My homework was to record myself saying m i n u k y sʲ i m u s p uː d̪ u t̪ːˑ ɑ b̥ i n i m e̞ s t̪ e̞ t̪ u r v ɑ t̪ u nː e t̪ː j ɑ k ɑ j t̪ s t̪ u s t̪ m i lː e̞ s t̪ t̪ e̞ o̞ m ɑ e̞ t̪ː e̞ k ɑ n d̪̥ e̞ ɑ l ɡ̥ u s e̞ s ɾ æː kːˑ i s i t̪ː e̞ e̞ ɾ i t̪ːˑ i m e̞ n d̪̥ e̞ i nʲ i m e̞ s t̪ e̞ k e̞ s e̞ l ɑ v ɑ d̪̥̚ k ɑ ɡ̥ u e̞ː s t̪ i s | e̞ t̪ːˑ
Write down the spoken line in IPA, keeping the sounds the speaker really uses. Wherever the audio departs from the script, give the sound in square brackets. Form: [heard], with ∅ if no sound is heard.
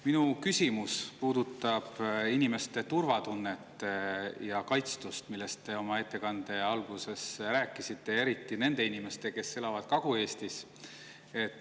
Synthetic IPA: m i n u k y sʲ i m u s p uː d̪ u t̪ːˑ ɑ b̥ i n i m e̞ s t̪ e̞ t̪ u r v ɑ t̪ u nː e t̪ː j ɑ k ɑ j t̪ s t̪ u s t̪ m i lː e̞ s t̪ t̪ e̞ o̞ m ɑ e̞ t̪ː e̞ k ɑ n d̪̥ e̞ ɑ l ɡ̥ u s e̞ s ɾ æː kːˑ i s i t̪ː e̞ e̞ ɾ i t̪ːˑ i [n] e̞ n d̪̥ e̞ i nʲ i m e̞ s t̪ e̞ k e̞ s e̞ l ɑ v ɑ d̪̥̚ k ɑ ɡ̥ u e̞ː s t̪ i s | e̞ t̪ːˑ